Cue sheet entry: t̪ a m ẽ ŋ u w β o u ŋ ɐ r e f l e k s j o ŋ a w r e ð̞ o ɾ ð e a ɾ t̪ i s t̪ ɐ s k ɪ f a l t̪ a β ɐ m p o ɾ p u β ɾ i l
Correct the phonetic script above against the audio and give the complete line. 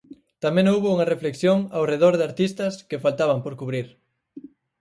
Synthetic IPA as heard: t̪ a m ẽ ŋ o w β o u ŋ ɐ r e f l e k s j o ŋ a w r e ð̞ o ɾ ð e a ɾ t̪ i s t̪ ɐ s k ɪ f a l t̪ a β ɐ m p o ɾ k u β ɾ i ɾ